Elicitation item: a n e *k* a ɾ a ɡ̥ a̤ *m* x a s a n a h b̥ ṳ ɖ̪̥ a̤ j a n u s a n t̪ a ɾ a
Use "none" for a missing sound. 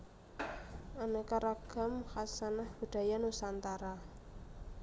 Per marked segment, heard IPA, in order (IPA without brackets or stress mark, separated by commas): k, m